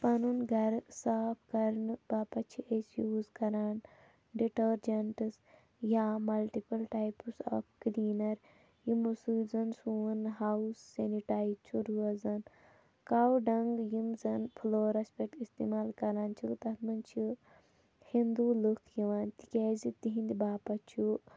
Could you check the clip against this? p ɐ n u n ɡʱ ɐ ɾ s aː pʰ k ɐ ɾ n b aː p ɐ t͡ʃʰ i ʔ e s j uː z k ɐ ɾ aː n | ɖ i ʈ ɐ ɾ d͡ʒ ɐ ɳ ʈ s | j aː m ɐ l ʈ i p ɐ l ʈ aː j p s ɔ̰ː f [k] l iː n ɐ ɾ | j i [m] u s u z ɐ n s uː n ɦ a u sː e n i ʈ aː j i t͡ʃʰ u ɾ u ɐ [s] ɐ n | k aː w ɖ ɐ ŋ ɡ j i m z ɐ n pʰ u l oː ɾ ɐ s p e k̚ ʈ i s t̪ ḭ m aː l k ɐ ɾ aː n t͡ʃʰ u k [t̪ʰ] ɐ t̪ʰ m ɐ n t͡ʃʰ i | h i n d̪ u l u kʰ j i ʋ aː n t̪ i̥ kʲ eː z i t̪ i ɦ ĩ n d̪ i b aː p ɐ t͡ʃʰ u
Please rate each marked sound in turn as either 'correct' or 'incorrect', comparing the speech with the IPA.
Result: correct, correct, incorrect, incorrect

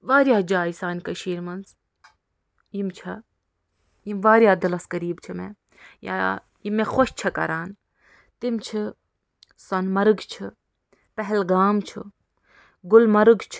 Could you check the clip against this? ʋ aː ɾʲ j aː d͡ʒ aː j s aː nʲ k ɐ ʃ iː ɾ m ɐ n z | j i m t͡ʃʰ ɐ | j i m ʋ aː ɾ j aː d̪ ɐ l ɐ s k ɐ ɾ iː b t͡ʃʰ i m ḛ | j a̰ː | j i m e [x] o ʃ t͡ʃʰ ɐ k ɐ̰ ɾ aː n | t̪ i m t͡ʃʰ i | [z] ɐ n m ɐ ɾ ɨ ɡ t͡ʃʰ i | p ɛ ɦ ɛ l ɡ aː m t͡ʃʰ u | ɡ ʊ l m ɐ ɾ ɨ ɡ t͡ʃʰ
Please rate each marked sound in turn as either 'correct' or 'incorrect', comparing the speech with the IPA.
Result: correct, incorrect

